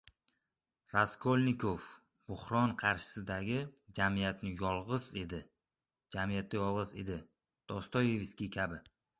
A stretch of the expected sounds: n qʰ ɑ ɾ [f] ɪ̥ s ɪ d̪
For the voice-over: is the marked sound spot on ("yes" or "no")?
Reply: no